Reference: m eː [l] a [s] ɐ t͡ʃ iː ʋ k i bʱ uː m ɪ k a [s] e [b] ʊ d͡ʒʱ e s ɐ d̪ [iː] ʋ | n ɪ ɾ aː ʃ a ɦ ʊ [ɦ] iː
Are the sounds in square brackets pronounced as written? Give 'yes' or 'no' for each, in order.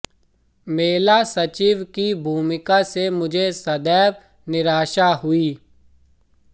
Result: yes, yes, yes, no, no, no

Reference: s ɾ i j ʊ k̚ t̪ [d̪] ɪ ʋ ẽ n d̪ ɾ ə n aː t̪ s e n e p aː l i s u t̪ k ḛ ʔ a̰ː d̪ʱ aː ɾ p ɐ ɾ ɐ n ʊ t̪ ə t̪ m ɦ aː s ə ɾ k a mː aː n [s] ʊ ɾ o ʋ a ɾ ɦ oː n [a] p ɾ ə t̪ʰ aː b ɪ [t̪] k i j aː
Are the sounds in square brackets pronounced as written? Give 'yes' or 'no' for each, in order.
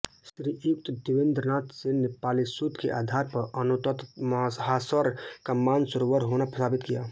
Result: yes, yes, yes, yes

